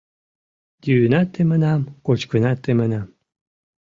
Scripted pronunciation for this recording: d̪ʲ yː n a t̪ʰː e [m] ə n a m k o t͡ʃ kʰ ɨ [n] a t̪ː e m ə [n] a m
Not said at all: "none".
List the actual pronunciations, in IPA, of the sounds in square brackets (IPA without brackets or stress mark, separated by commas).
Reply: m, n, n